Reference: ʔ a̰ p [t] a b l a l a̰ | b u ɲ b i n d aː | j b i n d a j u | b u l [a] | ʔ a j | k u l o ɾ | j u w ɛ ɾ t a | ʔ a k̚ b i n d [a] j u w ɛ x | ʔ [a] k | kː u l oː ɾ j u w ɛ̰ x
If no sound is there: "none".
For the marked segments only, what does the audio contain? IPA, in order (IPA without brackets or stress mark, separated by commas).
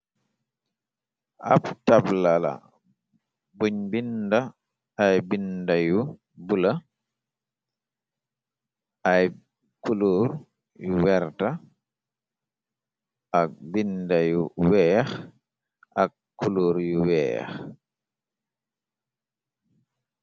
t, a, a, a